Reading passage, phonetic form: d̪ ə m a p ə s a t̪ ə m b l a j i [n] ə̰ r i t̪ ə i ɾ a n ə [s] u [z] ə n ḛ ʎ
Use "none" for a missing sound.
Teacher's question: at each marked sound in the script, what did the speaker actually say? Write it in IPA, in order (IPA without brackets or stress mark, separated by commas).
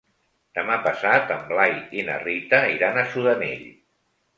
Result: n, s, ð